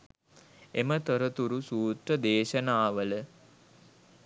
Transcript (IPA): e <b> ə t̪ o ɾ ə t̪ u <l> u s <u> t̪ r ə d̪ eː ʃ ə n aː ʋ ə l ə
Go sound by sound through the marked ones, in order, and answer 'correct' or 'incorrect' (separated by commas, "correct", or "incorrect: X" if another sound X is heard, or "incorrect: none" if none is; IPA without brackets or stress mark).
incorrect: m, incorrect: ɾ, incorrect: uː